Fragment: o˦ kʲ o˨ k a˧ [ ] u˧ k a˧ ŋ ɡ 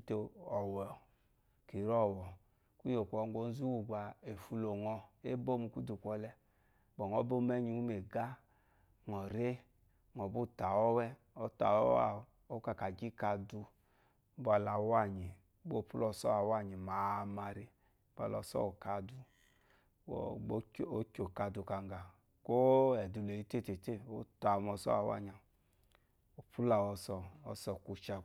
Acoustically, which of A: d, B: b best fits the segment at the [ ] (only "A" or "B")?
A